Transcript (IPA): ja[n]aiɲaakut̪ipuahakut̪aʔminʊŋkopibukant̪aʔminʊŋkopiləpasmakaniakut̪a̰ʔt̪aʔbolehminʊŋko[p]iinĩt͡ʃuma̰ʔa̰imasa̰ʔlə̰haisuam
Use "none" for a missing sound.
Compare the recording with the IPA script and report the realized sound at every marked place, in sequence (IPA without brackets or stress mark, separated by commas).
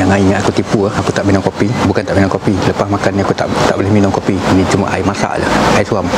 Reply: ŋ, p